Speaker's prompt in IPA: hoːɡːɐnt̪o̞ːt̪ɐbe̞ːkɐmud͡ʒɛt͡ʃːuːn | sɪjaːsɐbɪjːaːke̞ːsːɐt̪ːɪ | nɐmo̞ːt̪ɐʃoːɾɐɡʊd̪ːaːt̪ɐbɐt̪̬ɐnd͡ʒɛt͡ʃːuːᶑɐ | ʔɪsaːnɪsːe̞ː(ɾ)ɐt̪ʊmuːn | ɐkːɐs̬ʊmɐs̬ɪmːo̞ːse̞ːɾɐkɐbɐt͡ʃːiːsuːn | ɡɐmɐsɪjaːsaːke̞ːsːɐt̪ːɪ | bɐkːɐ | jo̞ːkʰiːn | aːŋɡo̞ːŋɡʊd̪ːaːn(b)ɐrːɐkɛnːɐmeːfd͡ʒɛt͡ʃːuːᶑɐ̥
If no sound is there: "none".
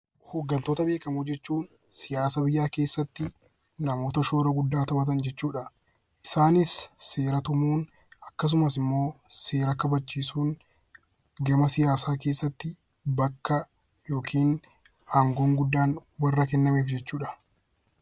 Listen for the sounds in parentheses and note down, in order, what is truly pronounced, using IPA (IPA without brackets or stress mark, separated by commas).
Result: ɾ, w